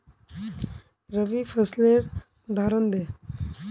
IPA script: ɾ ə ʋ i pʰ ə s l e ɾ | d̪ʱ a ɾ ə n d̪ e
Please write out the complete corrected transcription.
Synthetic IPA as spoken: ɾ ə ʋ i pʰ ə s l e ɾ | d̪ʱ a ɾ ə n d̪ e